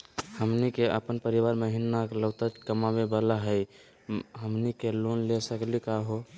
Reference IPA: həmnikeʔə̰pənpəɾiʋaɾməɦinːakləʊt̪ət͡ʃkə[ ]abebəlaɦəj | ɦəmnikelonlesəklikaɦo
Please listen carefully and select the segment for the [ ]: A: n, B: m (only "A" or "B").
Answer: B